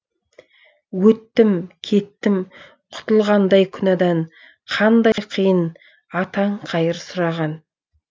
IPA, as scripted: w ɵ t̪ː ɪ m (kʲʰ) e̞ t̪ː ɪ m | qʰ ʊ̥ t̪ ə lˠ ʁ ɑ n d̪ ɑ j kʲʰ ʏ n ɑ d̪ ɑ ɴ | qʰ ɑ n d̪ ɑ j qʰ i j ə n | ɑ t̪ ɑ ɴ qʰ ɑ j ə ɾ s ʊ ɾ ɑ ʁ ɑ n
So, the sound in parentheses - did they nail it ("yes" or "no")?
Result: yes